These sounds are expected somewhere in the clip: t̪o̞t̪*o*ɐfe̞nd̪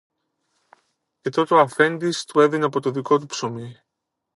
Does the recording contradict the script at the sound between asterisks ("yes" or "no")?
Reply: no